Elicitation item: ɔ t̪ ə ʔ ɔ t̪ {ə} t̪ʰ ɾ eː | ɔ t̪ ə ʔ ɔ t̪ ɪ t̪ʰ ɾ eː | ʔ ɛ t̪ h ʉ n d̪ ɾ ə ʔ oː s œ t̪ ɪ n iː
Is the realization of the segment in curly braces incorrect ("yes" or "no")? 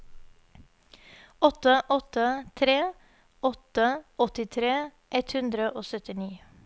no